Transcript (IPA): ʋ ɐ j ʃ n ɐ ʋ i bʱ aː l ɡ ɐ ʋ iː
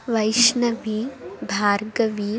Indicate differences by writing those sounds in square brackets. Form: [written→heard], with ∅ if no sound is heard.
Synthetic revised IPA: ʋ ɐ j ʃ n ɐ ʋ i bʱ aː [l→ɾ] ɡ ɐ ʋ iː

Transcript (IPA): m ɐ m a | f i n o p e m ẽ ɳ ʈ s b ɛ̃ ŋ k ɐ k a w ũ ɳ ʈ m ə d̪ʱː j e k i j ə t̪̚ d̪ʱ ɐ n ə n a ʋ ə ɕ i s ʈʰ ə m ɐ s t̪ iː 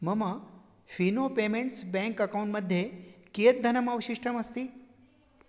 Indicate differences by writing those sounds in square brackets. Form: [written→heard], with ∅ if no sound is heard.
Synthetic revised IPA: m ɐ m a | f i n o p e m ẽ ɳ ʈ s b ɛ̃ ŋ k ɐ k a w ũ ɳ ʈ m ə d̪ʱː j e k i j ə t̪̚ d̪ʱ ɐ n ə [n→m] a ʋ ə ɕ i [s→ʂ] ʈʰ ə m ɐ s t̪ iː

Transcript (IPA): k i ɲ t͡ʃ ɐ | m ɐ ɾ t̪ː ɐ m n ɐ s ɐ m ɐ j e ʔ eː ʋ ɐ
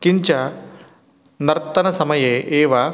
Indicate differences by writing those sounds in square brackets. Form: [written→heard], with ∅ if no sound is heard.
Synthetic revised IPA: k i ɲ t͡ʃ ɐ | [m→n] ɐ ɾ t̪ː ɐ [m→∅] n ɐ s ɐ m ɐ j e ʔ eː ʋ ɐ

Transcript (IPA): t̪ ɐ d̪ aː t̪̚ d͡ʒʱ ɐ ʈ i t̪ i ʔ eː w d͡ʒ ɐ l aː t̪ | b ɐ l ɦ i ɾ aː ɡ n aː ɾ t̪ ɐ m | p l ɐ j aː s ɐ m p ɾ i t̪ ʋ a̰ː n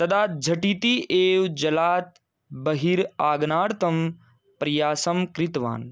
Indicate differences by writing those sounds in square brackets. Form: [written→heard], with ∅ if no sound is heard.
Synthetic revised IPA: t̪ ɐ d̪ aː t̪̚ d͡ʒʱ ɐ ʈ i t̪ i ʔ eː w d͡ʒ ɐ l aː t̪ | b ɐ [l→∅] ɦ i ɾ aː ɡ n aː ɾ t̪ ɐ m | p [l→ɾ] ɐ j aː s ɐ m [p→k] ɾ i t̪ ʋ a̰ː n

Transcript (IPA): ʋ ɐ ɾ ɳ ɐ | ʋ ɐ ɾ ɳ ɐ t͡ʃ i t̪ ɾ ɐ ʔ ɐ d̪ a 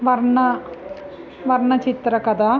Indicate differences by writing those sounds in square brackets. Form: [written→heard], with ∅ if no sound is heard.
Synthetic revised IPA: ʋ ɐ ɾ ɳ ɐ | ʋ ɐ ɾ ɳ ɐ t͡ʃ i t̪ ɾ ɐ [ʔ→k] ɐ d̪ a

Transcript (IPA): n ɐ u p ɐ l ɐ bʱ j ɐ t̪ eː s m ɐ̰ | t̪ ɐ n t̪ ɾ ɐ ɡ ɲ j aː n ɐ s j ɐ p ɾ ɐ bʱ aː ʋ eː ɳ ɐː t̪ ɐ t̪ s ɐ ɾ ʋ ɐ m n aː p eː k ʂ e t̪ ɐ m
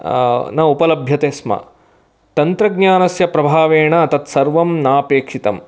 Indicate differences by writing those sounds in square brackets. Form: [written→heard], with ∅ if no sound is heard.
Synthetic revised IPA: n ɐ u p ɐ l ɐ bʱ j ɐ t̪ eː s m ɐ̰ | t̪ ɐ n t̪ ɾ ɐ ɡ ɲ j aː n ɐ s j ɐ p ɾ ɐ bʱ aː ʋ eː ɳ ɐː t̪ ɐ t̪ s ɐ ɾ ʋ ɐ m n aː p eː k ʂ [e→i] t̪ ɐ m

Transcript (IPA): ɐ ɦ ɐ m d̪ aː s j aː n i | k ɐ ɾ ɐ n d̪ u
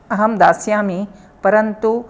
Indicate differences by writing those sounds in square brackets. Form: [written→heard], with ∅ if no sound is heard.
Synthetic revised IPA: ɐ ɦ ɐ m d̪ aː s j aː [n→m] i | [k→p] ɐ ɾ ɐ n [d̪→t̪] u

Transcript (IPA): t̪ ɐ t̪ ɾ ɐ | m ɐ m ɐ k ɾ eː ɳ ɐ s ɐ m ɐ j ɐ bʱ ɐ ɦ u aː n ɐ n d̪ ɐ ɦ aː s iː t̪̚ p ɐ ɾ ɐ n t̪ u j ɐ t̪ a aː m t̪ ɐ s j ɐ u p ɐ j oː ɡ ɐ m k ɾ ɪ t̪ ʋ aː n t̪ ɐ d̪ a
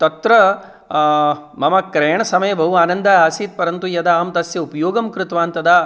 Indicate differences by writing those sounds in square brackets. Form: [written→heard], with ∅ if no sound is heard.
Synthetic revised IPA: t̪ ɐ t̪ ɾ ɐ | m ɐ m ɐ k ɾ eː ɳ ɐ s ɐ m ɐ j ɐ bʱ ɐ ɦ u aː n ɐ n d̪ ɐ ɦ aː s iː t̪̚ p ɐ ɾ ɐ n t̪ u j ɐ [t̪→d̪] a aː m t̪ ɐ s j ɐ u p ɐ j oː ɡ ɐ m k ɾ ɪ t̪ ʋ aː n t̪ ɐ d̪ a

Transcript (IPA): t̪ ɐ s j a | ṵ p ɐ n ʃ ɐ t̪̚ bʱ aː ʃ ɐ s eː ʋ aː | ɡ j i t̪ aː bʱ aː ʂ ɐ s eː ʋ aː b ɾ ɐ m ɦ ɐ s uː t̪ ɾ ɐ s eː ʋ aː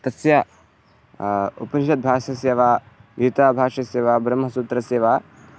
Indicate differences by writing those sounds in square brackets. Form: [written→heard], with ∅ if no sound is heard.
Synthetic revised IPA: t̪ ɐ s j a | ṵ p ɐ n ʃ ɐ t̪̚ bʱ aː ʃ ɐ s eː ʋ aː | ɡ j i t̪ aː bʱ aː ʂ ɐ s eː ʋ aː b ɾ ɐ m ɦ ɐ s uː t̪ ɾ ɐ s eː ʋ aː

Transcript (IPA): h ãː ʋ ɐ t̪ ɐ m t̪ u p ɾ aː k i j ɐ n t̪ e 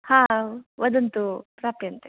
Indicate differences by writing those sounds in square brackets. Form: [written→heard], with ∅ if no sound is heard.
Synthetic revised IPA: h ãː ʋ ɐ [t̪→d̪] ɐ [m→n] t̪ u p ɾ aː [k→p] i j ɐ n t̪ e

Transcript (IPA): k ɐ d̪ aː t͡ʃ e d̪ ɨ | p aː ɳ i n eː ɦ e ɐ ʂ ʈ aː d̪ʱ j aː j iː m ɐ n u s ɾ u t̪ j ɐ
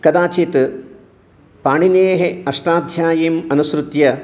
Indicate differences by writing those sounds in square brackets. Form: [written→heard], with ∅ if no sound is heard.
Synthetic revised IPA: k ɐ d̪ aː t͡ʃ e [d̪→t̪] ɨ | p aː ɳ i n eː ɦ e ɐ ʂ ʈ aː d̪ʱ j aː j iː m ɐ n u s ɾ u t̪ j ɐ

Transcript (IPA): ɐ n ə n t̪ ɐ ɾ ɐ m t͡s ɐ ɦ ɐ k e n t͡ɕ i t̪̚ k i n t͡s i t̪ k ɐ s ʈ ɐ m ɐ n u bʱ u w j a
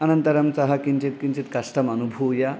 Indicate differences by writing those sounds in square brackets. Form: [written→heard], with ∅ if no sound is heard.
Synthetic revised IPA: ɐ n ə n t̪ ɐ ɾ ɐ m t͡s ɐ ɦ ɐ k [e→i] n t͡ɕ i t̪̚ k i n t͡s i t̪ k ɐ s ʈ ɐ m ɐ n u bʱ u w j a

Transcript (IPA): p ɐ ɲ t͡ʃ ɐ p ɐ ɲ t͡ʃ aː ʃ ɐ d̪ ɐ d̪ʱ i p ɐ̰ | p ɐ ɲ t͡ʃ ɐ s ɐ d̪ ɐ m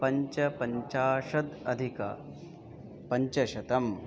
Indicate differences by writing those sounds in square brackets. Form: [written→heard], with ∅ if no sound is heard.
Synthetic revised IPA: p ɐ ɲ t͡ʃ ɐ p ɐ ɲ t͡ʃ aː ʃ ɐ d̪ ɐ d̪ʱ i [p→k] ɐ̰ | p ɐ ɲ t͡ʃ ɐ [s→ʃ] ɐ [d̪→t̪] ɐ m

